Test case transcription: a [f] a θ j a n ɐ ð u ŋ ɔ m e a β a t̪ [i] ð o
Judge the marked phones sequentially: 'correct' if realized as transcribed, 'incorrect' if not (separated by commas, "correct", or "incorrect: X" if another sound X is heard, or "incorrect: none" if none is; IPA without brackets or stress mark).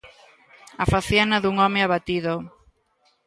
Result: correct, correct